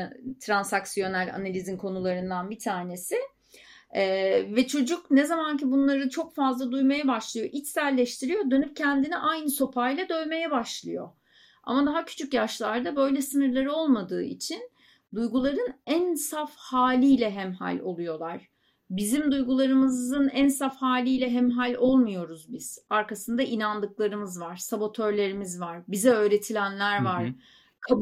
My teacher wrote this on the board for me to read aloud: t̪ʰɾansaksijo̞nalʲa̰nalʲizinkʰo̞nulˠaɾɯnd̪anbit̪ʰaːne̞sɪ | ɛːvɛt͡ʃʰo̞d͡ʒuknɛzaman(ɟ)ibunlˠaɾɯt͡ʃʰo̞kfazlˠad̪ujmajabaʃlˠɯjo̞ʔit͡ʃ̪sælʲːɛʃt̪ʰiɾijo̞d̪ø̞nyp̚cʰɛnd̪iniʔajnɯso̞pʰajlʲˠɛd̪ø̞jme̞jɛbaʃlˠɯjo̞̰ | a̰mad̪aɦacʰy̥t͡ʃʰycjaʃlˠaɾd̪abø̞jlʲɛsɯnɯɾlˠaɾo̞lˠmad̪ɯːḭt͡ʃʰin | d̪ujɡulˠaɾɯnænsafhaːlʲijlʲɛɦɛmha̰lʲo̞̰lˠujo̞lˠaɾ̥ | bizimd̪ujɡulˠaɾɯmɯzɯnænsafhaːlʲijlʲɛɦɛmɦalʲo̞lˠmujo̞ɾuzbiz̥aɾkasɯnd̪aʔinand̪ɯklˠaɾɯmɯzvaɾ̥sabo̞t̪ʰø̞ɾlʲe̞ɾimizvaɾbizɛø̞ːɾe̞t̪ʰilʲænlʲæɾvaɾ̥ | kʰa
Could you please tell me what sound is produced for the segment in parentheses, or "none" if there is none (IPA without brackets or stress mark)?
c